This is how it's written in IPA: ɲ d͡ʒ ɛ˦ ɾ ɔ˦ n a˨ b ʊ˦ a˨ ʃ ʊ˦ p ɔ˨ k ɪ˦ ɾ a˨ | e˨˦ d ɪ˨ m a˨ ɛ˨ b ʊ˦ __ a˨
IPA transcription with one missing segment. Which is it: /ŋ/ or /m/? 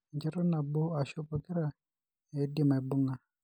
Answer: ŋ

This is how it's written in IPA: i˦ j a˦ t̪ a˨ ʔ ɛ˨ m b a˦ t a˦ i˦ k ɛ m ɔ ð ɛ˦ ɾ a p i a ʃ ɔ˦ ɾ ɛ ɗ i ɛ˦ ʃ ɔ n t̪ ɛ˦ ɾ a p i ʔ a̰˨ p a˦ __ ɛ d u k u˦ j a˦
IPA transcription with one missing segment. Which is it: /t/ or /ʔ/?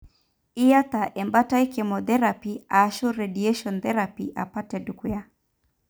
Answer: t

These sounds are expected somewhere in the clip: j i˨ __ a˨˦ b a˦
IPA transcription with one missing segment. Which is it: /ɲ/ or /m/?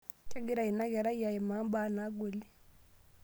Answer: m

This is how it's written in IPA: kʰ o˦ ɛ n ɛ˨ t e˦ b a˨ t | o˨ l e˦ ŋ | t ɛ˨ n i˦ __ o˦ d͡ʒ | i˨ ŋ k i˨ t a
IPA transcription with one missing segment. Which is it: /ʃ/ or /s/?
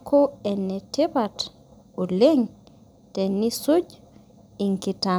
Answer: s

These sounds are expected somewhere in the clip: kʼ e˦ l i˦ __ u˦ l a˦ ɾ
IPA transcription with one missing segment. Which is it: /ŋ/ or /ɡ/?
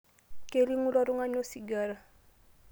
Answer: ŋ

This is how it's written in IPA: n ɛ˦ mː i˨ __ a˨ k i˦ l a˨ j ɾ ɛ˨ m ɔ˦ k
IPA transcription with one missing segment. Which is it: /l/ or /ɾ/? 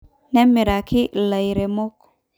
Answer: ɾ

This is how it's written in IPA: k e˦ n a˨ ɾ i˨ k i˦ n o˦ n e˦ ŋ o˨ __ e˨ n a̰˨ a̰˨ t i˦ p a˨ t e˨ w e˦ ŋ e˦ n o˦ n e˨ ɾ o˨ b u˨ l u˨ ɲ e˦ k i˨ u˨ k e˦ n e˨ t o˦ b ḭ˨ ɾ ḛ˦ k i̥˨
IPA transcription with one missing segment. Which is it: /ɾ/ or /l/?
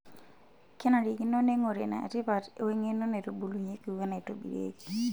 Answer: ɾ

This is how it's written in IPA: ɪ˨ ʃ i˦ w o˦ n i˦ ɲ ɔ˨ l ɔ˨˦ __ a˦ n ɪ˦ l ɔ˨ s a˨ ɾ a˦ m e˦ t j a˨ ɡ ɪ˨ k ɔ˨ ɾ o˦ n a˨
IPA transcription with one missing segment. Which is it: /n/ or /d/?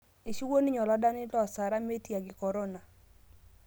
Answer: d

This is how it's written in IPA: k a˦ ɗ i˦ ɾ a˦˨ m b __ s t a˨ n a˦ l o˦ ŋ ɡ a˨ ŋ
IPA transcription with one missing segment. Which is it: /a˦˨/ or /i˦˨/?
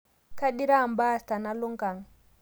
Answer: a˦˨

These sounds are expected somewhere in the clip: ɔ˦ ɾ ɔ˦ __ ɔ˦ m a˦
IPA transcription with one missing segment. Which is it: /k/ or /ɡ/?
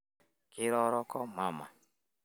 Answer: k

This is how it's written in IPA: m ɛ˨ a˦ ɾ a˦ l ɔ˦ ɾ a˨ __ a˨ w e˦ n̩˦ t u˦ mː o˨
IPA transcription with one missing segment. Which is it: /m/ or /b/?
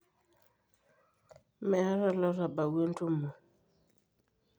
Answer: b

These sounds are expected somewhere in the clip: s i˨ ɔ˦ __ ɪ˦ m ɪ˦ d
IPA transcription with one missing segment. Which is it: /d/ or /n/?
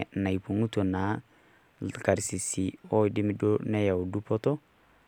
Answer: d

